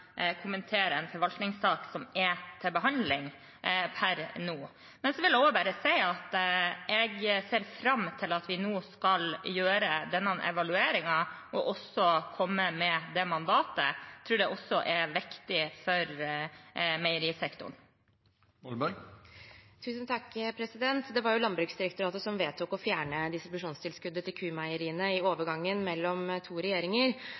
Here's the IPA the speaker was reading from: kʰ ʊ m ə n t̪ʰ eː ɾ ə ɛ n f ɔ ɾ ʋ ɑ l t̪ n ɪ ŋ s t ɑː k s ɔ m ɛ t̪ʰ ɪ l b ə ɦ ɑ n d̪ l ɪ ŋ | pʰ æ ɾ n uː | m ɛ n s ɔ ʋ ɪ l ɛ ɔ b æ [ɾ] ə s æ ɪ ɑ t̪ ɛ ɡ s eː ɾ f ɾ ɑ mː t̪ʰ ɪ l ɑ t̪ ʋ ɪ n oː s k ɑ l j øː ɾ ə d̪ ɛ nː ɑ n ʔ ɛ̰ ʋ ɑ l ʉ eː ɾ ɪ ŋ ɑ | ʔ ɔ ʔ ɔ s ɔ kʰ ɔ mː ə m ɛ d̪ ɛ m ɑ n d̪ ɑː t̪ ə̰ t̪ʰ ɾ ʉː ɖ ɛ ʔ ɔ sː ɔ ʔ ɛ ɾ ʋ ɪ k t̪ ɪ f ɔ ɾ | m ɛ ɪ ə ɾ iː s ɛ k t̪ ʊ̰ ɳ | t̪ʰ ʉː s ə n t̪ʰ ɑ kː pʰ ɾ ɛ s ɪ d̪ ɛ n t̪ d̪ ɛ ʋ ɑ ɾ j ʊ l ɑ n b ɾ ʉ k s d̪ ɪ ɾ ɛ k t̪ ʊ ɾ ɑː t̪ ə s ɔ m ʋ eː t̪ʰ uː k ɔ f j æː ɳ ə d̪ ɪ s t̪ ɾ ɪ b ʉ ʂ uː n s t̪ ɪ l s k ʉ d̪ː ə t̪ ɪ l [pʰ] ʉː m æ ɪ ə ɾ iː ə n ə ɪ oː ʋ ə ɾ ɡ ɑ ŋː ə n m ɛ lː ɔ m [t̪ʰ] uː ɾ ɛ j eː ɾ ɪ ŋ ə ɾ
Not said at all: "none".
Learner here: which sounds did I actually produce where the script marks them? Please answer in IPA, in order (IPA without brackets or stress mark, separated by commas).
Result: ɾ, kʰ, t̪ʰ